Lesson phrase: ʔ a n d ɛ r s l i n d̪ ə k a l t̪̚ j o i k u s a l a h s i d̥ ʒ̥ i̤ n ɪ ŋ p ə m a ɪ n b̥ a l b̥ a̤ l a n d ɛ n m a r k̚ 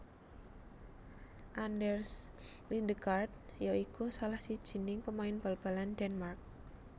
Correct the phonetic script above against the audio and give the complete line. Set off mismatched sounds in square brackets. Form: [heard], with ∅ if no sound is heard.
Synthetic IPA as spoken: ʔ a n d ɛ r s l i n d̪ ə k a [r] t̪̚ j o i k u s a l a h s i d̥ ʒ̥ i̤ n ɪ ŋ p ə m a ɪ n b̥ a l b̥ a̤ l a n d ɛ n m a r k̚